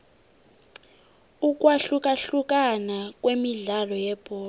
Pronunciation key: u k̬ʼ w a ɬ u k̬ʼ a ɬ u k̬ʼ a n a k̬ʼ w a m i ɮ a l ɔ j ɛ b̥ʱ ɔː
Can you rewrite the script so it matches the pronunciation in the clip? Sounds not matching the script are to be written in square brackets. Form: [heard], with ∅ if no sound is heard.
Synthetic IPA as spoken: u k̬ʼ w a ɬ u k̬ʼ a ɬ u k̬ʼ a n a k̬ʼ w [e] m i ɮ a l ɔ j ɛ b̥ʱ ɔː